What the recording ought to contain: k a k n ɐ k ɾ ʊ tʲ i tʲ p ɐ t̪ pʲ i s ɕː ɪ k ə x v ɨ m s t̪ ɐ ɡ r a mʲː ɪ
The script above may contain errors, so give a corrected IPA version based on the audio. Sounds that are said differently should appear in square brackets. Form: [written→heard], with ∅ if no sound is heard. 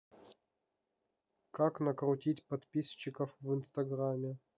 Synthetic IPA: k a k n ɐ k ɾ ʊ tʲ i tʲ p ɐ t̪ pʲ i s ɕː ɪ k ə [x→f] v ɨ [m→n] s t̪ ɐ ɡ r a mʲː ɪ